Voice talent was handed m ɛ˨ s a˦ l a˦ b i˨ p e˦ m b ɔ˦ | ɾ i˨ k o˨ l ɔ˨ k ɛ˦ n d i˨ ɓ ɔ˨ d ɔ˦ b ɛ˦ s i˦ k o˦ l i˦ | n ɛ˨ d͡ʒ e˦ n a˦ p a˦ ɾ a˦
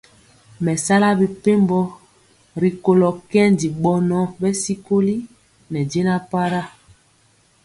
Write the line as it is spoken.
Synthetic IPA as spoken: m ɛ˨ s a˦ l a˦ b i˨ p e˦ m b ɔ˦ | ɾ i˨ k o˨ l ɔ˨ k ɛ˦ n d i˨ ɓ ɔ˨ n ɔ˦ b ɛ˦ s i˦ k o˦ l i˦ | n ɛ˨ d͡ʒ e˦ n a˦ p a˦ ɾ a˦